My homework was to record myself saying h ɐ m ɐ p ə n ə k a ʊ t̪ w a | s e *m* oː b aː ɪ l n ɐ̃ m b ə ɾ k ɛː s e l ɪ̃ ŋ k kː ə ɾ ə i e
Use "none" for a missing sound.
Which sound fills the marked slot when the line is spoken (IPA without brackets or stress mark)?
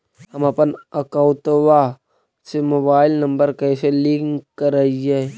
m